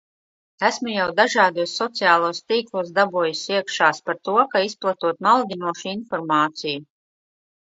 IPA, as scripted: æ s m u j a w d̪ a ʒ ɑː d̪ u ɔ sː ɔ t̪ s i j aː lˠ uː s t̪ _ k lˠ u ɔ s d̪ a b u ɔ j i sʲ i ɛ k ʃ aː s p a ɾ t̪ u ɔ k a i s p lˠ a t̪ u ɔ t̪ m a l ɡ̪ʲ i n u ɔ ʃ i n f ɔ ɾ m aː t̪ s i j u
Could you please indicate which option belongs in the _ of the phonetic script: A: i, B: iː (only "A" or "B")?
B